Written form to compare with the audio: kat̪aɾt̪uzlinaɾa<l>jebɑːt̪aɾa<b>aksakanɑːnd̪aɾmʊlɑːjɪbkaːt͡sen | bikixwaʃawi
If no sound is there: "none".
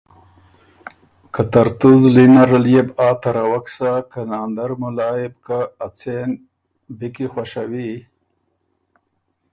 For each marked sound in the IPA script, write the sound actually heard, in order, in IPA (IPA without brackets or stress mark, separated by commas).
l, w